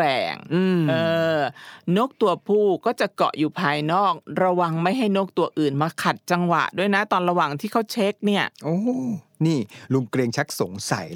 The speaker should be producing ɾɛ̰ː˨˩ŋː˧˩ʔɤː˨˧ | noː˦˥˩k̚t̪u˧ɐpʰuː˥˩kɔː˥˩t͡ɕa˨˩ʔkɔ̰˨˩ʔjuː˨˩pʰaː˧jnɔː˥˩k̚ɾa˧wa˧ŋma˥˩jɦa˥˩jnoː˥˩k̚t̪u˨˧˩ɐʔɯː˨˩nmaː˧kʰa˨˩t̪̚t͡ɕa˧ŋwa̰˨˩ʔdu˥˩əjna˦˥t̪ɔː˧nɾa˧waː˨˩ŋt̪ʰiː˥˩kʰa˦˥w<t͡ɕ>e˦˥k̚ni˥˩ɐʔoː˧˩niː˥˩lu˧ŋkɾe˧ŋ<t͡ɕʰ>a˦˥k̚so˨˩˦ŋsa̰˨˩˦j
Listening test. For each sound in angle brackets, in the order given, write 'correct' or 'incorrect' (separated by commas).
incorrect, correct